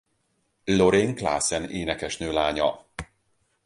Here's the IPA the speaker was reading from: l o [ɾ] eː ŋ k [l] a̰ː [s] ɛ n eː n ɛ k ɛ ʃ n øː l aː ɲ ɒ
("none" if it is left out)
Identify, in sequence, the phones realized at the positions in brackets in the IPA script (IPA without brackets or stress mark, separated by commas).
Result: ɾ, l, s